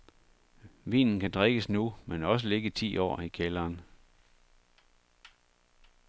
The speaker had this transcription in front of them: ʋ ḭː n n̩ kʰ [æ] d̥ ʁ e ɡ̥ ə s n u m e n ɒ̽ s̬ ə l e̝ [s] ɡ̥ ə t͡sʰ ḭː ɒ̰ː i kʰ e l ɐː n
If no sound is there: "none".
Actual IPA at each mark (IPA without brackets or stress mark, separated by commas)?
æ, none